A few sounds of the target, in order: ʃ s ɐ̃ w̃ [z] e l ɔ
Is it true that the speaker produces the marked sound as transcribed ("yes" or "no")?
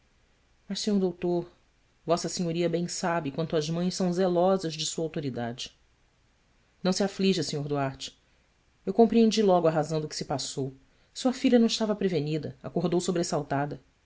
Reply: yes